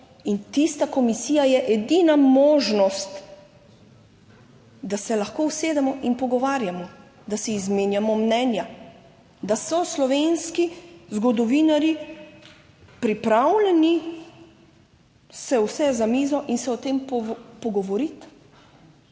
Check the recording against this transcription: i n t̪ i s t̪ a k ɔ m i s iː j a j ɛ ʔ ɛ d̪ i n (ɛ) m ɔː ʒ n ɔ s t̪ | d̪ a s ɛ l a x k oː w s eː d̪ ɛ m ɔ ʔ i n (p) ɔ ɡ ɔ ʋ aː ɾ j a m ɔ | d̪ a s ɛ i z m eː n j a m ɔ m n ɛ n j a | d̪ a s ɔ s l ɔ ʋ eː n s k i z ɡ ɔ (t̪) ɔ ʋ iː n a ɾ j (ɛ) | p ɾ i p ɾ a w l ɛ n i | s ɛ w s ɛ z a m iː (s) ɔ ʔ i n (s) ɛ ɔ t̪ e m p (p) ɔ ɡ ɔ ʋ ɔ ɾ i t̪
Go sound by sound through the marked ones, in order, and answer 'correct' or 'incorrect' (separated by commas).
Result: incorrect, correct, incorrect, incorrect, incorrect, correct, correct